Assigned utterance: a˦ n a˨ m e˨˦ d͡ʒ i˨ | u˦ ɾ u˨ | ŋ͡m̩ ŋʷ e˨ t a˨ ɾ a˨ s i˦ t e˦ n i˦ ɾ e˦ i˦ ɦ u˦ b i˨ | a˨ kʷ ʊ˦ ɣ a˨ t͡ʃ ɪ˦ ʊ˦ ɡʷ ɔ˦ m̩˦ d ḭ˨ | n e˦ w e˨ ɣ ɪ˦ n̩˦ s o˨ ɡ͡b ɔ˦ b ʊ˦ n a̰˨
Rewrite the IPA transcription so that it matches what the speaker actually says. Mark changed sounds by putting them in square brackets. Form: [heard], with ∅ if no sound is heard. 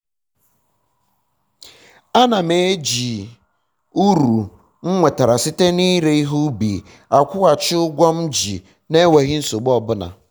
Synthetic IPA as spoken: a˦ n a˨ m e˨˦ d͡ʒ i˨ | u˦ ɾ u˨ | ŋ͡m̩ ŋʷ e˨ t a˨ ɾ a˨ s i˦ t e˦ n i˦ ɾ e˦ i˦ ɦ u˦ b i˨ | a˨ kʷ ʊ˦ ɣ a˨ t͡ʃ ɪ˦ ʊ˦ ɡʷ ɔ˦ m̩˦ [d͡ʒ] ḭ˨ | n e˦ w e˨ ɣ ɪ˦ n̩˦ s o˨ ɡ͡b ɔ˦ b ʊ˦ n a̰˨